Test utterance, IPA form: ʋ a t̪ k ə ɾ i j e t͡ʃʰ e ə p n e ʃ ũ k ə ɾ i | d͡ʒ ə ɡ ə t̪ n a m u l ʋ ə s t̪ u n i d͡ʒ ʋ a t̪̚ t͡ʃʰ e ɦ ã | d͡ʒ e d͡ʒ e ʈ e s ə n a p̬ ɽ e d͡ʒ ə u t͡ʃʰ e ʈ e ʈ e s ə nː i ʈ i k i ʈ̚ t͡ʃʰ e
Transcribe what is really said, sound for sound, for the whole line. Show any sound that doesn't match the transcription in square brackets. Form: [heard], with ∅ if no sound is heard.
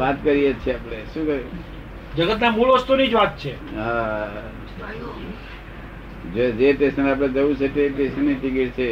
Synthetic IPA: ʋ a t̪ k ə ɾ i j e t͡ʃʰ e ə p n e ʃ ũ k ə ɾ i | d͡ʒ ə ɡ ə t̪ n a m u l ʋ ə s t̪ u n i d͡ʒ ʋ a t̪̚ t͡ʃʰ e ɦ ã | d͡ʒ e d͡ʒ e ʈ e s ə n a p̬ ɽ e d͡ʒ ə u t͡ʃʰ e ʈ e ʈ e s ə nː i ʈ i k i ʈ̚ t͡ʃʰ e